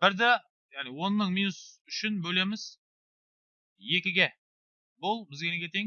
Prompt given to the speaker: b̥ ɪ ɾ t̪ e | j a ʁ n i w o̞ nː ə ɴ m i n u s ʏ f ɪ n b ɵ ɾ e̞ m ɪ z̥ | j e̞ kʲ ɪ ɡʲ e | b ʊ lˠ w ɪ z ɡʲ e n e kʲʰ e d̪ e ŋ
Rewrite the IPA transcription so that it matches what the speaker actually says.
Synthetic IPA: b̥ ɪ ɾ d̪ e | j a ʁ n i w o̞ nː ə ɴ m i n u s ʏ ʃ ɪ n b ɵ l e̞ m ɪ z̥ | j e̞ kʲ ɪ ɡʲ e | b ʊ lˠ b ɪ z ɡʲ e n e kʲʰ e t̪ e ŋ